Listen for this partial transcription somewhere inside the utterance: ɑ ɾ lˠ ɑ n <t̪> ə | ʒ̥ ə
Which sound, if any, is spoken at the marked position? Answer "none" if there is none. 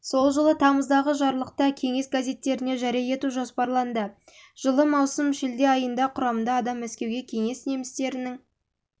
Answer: d̪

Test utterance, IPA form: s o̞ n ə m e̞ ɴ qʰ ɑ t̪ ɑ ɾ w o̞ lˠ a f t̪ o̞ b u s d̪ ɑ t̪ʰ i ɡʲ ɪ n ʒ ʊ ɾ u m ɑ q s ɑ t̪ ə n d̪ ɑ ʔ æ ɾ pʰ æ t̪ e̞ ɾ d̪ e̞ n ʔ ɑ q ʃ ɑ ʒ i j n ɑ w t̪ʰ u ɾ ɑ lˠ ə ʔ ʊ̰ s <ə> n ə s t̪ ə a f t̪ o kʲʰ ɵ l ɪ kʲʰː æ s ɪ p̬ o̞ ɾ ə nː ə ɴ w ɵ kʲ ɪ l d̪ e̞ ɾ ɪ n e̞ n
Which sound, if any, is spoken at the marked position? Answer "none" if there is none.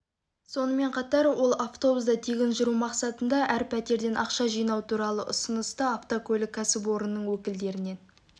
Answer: ə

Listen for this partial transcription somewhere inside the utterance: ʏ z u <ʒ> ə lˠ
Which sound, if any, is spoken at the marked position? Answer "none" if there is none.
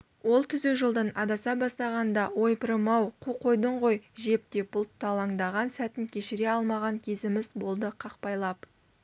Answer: ʒ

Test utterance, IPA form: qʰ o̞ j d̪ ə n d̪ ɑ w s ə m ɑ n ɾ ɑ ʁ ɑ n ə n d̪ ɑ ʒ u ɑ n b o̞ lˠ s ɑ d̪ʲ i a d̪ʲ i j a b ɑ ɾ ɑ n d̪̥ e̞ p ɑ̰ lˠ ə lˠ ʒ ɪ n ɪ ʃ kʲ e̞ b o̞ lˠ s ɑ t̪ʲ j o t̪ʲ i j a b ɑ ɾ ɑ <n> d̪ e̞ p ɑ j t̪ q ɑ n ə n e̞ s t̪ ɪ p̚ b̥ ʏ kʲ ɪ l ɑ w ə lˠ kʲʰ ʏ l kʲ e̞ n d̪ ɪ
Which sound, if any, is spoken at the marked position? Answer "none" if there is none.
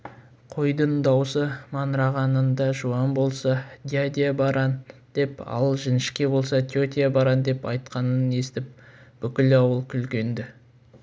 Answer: n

